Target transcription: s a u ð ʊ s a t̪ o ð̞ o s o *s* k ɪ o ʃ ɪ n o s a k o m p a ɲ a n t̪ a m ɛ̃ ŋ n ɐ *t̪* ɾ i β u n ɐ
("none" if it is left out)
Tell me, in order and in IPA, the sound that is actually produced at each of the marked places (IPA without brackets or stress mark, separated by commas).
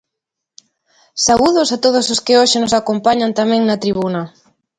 s, t̪